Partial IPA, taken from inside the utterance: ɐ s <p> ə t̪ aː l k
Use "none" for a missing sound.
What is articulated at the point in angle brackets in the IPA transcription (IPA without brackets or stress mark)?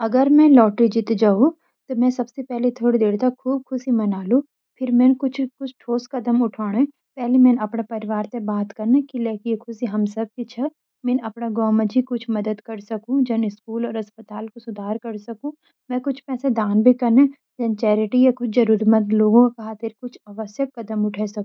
p